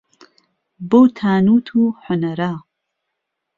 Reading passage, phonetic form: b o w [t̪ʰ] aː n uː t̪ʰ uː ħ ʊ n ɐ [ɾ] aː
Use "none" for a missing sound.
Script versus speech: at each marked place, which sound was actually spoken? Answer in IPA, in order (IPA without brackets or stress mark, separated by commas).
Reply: t̪ʰ, ɾ